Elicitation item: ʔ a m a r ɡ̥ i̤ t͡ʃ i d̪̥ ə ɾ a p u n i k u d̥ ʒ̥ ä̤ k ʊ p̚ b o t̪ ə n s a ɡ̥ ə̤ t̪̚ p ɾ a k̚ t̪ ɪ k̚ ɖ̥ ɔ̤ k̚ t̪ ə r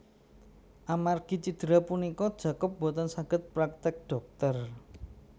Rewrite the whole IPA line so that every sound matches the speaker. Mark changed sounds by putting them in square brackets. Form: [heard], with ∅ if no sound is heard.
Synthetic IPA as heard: ʔ a m a r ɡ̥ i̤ t͡ʃ i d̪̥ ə ɾ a p u n i k [ɔ] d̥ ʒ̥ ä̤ k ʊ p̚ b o t̪ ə n s a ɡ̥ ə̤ t̪̚ p ɾ a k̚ t̪ ɪ k̚ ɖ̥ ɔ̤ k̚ t̪ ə r